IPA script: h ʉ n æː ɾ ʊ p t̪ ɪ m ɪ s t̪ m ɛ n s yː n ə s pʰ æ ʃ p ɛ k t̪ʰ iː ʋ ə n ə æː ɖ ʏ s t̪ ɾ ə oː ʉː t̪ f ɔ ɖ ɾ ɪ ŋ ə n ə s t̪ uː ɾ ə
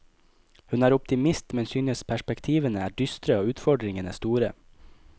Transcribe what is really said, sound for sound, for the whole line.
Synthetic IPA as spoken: h ʉ n æː ɾ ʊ p t̪ ɪ m ɪ s t̪ m ɛ n s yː n ə s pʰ æ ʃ p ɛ k t̪ʰ iː ʋ ə n ə æː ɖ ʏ s t̪ ɾ ə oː ʉː t̪ f ɔ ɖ ɾ ɪ ŋ ə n ə s t̪ uː ɾ ə